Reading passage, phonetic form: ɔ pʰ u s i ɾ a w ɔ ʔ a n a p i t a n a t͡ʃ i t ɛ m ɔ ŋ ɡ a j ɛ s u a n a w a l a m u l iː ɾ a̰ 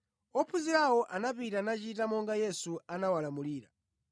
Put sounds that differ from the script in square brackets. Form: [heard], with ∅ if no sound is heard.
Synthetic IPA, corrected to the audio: ɔ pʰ u [z] i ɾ a w ɔ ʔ a n a p i t a n a t͡ʃ i t [a] m ɔ ŋ ɡ a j ɛ s u a n a w a l a m u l iː ɾ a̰

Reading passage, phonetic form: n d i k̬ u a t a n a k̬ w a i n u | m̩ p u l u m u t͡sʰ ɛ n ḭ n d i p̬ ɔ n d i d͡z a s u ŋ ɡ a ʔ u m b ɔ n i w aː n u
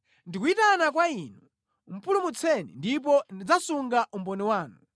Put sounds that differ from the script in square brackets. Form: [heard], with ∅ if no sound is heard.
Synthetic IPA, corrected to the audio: n d i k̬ u [i] t a n a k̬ w a i n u | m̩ p u l u m u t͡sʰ ɛ n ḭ n d i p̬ ɔ n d i d͡z a s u ŋ ɡ a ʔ u m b ɔ n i w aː n u

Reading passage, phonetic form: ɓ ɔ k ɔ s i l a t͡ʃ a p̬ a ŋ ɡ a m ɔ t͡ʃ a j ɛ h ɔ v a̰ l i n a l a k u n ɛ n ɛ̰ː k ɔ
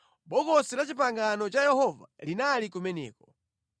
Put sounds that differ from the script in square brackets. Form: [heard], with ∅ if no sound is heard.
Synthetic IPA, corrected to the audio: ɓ ɔ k ɔ s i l a t͡ʃ [i] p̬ a ŋ ɡ a [n] ɔ t͡ʃ a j ɛ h ɔ v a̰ l i n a l [i] k u [m] ɛ n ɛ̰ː k ɔ

